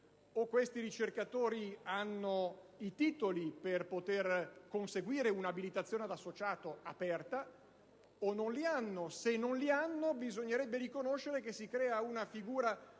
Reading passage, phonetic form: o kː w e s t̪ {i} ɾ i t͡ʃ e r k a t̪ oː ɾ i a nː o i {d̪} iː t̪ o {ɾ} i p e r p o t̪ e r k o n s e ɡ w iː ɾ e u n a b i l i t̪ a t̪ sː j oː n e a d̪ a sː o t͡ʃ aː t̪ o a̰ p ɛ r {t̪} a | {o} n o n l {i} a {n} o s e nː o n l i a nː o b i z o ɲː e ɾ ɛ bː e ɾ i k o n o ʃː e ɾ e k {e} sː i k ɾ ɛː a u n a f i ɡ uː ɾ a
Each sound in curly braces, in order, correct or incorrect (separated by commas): correct, incorrect, incorrect, correct, correct, correct, incorrect, correct